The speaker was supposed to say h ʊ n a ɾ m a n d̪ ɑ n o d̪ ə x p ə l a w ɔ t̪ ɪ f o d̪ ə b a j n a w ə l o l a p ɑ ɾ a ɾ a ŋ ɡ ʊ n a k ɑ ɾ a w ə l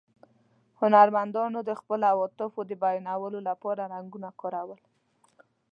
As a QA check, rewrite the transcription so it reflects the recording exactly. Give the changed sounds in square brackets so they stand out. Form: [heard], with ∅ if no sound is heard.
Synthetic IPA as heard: h ʊ n a ɾ m a n d̪ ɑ n o d̪ ə x p ə l a w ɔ t̪ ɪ f o d̪ ə b a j n a w ə l o l a p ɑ ɾ a ɾ a ŋ ɡ [u] n a k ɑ ɾ a w ə l

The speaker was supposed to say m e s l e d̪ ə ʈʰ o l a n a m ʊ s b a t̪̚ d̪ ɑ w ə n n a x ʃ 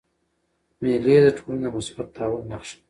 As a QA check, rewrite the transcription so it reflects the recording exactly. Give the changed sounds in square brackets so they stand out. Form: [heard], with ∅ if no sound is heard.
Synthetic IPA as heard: m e [∅] l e d̪ ə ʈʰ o l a n a m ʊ s b a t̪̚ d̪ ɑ w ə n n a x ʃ

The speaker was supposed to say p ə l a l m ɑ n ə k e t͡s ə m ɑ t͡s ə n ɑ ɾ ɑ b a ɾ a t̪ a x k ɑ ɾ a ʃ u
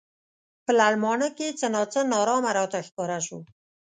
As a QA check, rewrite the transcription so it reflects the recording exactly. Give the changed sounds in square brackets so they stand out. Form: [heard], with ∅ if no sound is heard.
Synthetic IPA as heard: p ə l a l m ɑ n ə k e t͡s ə [n] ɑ t͡s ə n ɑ ɾ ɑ [m] a ɾ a t̪ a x k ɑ ɾ a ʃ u

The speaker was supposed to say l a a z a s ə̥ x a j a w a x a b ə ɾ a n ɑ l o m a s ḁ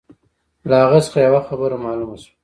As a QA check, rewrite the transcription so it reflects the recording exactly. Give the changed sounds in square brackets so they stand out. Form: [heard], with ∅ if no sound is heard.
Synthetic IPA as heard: l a a [ɣ] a s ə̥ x a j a w a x a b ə ɾ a [m] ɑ l [u] m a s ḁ

